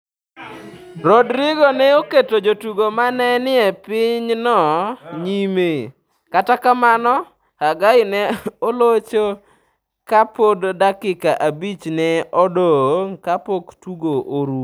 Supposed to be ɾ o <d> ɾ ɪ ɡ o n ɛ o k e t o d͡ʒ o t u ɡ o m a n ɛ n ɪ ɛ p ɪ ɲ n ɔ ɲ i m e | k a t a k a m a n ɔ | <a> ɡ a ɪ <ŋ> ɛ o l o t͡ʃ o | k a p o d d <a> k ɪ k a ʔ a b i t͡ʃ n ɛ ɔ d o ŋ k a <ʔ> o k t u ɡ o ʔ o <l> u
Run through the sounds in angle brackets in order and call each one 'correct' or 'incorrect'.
correct, correct, incorrect: n, correct, incorrect: p, incorrect: ɾ

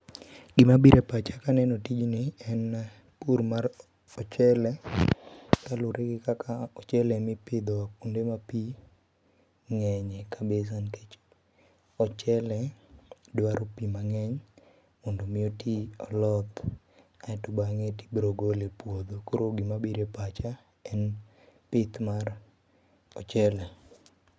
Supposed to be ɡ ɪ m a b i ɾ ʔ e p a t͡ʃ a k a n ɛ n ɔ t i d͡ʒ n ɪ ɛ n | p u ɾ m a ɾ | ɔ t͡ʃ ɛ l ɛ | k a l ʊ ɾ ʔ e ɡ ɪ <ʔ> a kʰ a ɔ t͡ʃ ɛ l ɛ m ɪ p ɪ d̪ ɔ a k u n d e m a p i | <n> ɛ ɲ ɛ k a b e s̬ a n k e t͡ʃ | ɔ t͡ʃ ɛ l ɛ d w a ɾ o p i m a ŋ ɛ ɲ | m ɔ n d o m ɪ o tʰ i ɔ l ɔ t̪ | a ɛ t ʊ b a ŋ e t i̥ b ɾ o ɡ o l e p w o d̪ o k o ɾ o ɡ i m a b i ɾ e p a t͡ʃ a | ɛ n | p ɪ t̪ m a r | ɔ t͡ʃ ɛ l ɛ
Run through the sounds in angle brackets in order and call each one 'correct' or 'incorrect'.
incorrect: k, incorrect: ŋ

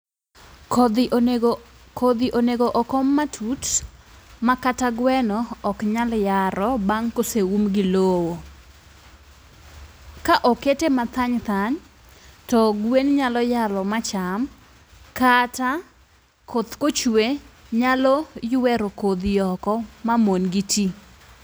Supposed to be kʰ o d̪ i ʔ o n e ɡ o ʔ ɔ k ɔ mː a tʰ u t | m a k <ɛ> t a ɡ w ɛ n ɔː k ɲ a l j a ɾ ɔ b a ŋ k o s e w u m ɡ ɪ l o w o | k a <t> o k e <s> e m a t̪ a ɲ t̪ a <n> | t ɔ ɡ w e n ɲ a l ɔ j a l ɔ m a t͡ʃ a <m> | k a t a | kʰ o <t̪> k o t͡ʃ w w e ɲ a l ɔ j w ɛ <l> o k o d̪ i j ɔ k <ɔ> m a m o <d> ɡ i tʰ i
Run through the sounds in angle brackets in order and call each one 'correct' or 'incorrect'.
incorrect: a, incorrect: ʔ, incorrect: t, incorrect: ɲ, correct, correct, incorrect: ɾ, correct, incorrect: n

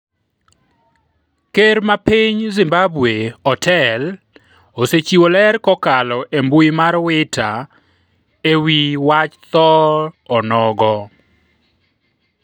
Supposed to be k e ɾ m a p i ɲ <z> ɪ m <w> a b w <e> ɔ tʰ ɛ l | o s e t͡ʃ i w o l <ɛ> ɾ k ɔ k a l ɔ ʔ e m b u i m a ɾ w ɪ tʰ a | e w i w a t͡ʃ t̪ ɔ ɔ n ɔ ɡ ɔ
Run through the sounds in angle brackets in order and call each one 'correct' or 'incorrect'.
correct, incorrect: b, correct, correct

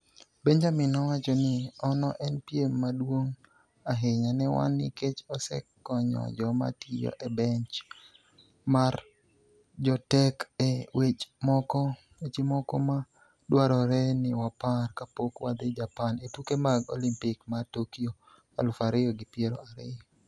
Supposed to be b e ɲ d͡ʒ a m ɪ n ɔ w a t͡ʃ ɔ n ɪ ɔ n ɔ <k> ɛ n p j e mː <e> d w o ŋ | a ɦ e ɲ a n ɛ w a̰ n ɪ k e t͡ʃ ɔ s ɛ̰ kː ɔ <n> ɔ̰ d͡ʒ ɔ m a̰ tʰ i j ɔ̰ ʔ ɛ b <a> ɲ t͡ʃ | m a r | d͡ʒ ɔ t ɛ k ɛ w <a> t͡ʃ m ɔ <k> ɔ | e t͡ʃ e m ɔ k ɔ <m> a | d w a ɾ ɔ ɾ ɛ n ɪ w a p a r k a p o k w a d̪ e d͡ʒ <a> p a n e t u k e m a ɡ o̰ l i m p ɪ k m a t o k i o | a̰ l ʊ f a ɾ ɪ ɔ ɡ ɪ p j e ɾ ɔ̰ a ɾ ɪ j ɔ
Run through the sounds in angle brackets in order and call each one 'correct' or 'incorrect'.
incorrect: ʔ, incorrect: a, incorrect: ɲ, incorrect: ɛ, incorrect: e, correct, correct, correct

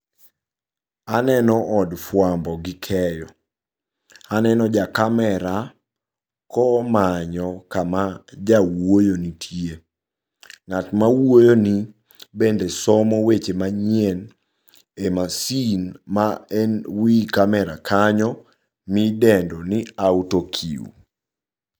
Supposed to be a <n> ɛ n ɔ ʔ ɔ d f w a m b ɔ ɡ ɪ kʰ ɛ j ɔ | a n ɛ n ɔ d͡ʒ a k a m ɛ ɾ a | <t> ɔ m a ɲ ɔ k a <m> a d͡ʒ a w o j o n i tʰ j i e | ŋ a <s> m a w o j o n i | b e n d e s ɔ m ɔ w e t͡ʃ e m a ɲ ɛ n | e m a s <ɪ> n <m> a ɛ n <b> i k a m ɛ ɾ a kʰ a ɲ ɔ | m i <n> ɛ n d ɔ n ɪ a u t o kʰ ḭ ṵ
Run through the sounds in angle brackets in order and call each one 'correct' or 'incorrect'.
correct, incorrect: k, correct, incorrect: t, incorrect: i, correct, incorrect: w, incorrect: d

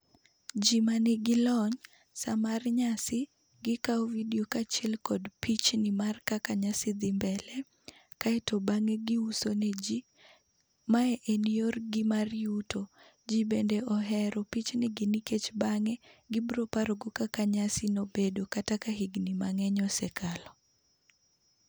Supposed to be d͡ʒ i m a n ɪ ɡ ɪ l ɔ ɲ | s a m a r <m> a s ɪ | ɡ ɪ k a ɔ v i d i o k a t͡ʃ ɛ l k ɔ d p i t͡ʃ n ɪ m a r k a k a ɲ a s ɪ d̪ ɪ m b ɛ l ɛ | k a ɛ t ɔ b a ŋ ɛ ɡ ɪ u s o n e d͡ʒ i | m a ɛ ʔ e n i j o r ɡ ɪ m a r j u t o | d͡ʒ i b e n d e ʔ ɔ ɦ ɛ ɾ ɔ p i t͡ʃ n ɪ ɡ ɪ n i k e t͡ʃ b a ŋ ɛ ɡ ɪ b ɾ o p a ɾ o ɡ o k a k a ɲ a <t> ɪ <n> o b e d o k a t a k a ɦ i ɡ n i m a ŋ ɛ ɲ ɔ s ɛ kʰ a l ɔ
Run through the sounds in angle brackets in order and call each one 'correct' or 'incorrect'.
incorrect: ɲ, incorrect: s, correct

